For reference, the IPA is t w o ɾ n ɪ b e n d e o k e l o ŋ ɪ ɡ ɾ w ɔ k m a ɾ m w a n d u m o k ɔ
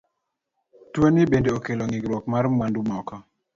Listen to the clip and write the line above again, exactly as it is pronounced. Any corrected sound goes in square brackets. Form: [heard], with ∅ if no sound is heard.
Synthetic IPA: t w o [∅] n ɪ b e n d e o k e l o ŋ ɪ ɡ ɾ w ɔ k m a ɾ m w a n d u m [ɔ] k ɔ